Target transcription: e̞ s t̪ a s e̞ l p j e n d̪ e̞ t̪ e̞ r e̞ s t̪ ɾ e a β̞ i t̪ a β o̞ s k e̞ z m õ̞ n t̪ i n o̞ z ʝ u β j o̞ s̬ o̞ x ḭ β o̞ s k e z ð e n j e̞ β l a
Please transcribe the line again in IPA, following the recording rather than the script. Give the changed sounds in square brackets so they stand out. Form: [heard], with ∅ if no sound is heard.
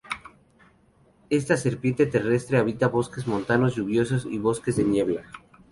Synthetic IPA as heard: e̞ s t̪ a s e̞ [ɾ] p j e n [t̪] e̞ t̪ e̞ r e̞ s t̪ ɾ e a β̞ i t̪ a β o̞ s k e̞ z m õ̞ n t̪ [a] n o̞ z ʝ u β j o̞ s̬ o̞ [s] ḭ β o̞ s k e z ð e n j e̞ β l a